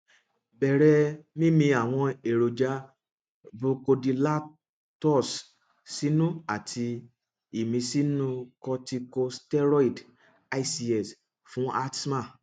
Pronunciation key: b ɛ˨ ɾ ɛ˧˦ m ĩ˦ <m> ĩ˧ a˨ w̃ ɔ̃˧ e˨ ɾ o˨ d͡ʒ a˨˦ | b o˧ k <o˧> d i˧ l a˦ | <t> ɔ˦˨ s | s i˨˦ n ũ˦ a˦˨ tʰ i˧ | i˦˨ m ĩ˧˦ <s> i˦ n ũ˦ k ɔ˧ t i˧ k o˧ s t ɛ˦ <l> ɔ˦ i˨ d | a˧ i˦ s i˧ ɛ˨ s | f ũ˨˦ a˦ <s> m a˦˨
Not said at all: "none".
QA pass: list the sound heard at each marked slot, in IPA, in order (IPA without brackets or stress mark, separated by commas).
m, o˧, t, s, ɾ, t